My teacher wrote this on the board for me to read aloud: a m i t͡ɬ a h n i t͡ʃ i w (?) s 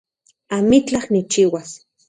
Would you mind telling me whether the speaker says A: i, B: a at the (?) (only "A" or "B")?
B